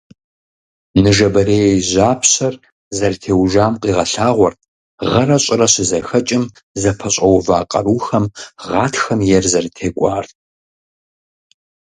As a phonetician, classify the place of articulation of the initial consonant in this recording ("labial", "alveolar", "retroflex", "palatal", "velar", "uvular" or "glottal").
alveolar